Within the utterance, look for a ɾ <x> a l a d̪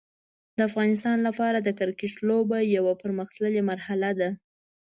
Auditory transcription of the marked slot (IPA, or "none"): h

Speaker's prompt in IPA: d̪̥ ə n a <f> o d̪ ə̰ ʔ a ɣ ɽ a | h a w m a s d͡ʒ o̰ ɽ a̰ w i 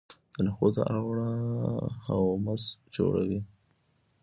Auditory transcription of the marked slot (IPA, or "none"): x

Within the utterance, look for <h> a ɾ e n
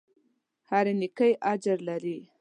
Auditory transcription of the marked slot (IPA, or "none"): h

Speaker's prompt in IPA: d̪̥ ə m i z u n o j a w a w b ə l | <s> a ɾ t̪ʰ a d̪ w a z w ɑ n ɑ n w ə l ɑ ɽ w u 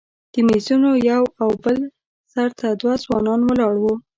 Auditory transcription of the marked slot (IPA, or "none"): s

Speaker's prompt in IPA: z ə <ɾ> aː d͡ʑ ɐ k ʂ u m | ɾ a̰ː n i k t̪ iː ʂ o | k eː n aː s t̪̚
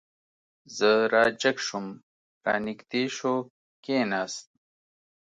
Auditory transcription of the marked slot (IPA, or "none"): ɾ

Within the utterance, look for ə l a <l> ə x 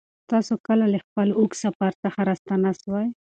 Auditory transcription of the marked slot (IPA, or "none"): l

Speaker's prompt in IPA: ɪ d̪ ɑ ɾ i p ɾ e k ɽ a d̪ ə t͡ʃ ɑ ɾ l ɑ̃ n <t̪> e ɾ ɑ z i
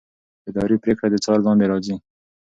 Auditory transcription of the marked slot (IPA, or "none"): d̪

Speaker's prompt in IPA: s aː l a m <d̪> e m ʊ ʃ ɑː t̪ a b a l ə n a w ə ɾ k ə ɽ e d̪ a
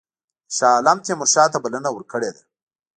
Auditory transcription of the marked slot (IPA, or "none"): t̪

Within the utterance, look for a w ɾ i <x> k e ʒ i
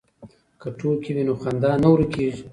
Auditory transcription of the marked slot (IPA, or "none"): none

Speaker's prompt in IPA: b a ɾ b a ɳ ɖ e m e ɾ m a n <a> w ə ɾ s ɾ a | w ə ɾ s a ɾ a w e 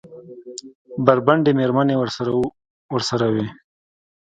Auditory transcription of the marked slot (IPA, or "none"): e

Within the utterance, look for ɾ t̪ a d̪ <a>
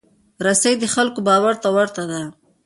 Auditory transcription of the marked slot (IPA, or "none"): a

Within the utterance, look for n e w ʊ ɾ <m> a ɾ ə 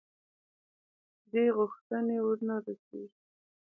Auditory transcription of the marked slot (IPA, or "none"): n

